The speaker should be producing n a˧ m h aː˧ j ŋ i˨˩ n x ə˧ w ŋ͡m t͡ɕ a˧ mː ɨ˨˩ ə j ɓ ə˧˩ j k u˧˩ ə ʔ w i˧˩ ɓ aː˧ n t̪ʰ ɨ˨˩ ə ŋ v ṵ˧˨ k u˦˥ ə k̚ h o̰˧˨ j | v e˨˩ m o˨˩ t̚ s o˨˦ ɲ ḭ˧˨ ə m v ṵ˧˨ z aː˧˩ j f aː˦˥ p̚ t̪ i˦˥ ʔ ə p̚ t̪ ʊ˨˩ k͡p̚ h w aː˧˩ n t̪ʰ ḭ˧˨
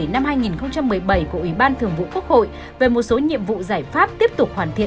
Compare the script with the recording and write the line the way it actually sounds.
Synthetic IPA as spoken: n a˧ m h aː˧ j ŋ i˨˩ n x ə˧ w ŋ͡m t͡ɕ a˧ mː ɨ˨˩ ə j ɓ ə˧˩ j k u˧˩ ə ʔ w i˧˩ ɓ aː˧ n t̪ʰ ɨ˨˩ ə ŋ v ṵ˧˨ k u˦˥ ə k̚ h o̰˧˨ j | v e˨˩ m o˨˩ t̚ s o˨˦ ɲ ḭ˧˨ ə m v ṵ˧˨ z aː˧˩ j f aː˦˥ p̚ t̪ i˦˥ ə p̚ t̪ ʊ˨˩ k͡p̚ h w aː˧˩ n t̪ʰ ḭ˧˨